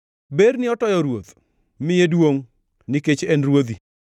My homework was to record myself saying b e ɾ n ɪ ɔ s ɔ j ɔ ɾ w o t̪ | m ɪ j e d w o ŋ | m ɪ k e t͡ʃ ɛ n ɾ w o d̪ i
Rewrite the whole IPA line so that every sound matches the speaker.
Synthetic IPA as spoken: b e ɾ n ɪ ɔ t ɔ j ɔ ɾ w o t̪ | m ɪ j e d w o ŋ | n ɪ k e t͡ʃ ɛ n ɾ w o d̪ i